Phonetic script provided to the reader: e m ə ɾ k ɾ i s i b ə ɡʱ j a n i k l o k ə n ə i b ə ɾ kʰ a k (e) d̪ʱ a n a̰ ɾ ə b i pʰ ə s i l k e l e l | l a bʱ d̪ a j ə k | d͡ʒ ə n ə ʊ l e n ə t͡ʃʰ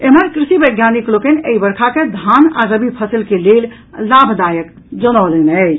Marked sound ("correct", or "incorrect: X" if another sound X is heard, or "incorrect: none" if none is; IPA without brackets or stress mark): correct